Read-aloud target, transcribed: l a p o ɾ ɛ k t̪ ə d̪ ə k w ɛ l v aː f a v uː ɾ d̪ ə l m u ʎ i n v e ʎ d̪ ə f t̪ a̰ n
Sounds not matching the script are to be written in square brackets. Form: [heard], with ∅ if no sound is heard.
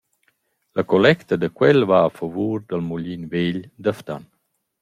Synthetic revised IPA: l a [k] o [l] ɛ k t̪ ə d̪ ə k w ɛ l v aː f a v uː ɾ d̪ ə l m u ʎ i n v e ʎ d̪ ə f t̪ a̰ n